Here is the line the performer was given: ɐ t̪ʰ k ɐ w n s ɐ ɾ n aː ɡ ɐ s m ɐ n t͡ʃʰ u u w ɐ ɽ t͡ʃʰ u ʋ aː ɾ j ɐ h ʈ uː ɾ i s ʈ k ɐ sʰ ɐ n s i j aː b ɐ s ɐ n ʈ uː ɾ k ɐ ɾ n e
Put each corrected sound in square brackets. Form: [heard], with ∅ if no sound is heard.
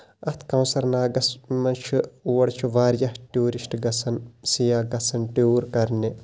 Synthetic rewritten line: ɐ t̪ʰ k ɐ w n s ɐ ɾ n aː ɡ ɐ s m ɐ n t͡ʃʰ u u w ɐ ɽ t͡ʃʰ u ʋ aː ɾ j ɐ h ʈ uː ɾ i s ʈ [ɡ] ɐ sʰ ɐ n s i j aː [ɡ] ɐ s ɐ n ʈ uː ɾ k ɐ ɾ n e